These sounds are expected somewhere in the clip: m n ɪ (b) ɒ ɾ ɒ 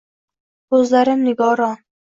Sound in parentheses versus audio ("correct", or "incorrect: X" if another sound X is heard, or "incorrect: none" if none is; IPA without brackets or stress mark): incorrect: ɡ